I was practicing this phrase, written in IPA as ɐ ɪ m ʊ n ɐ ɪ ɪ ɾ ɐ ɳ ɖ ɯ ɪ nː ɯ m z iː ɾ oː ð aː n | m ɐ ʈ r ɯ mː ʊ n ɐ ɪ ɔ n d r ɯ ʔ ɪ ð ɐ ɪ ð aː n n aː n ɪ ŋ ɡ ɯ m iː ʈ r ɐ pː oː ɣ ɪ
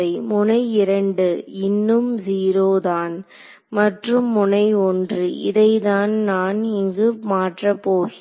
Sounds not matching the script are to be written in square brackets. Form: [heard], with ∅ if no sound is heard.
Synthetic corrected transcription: ɐ ɪ m ʊ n ɐ ɪ ɪ ɾ ɐ ɳ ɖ ɯ ɪ nː ɯ m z iː ɾ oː ð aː n | m ɐ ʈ r ɯ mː ʊ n ɐ ɪ ɔ n d r ɯ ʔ ɪ ð ɐ ɪ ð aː n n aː n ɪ ŋ ɡ ɯ m [aː] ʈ r ɐ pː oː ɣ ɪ